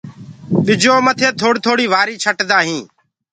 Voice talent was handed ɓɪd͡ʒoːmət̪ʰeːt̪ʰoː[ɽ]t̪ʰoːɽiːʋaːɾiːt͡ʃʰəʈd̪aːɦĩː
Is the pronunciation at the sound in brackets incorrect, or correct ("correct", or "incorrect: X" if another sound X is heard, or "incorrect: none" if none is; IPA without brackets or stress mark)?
correct